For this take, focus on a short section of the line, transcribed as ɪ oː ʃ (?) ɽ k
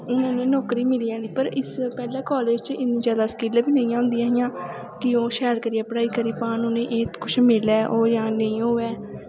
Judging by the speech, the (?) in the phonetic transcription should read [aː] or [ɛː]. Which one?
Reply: ɛː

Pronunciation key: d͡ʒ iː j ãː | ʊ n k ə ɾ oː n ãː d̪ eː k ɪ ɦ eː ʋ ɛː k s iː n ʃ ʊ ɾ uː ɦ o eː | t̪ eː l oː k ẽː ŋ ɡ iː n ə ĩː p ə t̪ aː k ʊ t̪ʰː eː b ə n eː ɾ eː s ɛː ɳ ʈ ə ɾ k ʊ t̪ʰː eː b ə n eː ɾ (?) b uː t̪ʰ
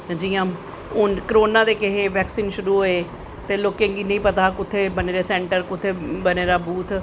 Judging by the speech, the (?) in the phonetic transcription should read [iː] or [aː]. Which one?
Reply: aː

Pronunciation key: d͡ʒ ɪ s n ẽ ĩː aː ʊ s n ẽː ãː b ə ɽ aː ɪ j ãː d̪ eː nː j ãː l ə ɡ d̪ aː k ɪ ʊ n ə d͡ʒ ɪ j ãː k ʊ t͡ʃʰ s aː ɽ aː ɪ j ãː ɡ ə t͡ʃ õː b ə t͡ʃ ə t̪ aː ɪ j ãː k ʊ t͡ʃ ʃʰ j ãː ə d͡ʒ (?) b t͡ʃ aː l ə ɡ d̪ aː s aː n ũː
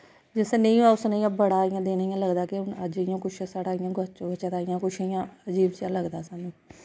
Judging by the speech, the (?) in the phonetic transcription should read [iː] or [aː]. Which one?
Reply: iː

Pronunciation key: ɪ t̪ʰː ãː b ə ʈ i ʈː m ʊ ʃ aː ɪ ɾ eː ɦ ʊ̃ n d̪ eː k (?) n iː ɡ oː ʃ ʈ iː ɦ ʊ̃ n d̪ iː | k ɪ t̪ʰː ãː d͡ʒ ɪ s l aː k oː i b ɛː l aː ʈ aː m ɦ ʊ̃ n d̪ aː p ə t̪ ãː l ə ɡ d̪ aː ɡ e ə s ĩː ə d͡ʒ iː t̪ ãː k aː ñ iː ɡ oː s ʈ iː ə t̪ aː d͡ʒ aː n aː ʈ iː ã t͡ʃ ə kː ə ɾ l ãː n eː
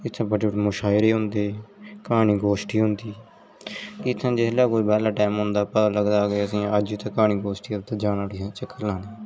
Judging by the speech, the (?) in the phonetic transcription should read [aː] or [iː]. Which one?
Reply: aː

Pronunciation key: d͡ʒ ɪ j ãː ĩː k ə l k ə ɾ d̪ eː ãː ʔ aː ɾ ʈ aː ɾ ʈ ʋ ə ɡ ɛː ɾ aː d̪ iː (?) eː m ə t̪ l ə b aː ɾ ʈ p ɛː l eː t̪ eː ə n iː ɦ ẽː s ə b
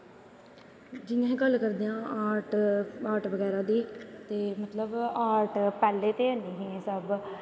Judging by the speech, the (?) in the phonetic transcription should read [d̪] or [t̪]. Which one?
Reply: t̪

